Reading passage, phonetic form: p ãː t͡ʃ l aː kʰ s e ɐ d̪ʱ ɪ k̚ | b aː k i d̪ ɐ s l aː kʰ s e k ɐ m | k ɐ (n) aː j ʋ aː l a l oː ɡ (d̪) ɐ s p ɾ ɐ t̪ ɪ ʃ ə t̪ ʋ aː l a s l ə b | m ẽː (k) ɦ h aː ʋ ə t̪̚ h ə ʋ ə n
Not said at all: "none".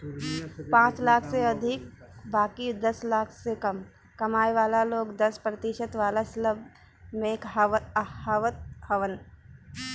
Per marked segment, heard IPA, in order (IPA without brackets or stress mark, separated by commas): m, d̪, k